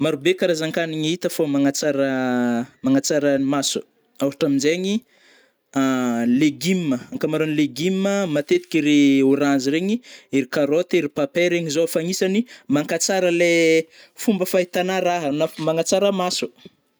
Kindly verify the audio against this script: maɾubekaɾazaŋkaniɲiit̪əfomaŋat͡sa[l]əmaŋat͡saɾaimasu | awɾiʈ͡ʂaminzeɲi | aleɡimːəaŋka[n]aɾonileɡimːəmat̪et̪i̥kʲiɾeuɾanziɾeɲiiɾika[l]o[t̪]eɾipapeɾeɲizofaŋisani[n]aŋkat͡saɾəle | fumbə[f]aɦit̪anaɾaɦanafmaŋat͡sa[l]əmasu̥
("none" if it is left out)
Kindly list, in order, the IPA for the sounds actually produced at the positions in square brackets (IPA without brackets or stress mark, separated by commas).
ɾ, m, ɾ, t̪, m, f, ɾ